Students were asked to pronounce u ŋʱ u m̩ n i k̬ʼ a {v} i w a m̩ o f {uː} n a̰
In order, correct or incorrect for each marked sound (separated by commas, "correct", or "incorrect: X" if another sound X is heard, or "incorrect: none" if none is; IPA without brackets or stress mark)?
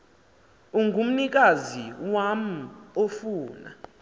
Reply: incorrect: z, correct